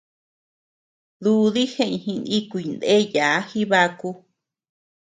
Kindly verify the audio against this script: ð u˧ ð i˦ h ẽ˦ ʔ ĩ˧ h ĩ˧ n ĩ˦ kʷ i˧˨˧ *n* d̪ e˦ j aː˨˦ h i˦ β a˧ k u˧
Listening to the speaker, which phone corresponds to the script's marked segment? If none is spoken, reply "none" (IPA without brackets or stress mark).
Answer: n